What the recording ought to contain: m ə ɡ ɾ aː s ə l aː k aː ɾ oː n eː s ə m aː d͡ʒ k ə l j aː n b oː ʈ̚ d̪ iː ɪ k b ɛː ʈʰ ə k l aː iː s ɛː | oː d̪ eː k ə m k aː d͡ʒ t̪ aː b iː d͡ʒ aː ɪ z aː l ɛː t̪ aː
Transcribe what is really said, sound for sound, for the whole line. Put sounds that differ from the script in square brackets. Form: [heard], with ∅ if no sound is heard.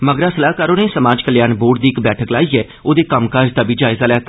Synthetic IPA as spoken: m ə ɡ ɾ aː s ə l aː k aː ɾ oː n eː s ə m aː d͡ʒ k ə l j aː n b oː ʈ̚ d̪ iː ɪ k b ɛː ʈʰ ə k l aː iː [∅] ɛː | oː d̪ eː k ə m k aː d͡ʒ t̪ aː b iː d͡ʒ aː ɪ z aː l ɛː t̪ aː